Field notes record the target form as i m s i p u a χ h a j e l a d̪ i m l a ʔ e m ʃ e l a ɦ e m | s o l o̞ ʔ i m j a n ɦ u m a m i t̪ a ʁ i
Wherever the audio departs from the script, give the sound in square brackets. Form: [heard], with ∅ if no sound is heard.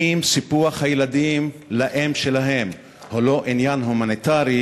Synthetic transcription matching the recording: i m s i p u a χ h a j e l a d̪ i m l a ʔ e m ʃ e l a ɦ e m | [h] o l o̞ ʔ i [n] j a n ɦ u m a [n] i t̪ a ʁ i